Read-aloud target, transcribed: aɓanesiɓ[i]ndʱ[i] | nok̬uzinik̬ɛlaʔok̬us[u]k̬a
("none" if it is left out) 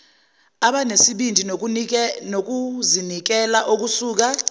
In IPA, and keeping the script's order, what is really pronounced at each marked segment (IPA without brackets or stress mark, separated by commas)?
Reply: i, i, uː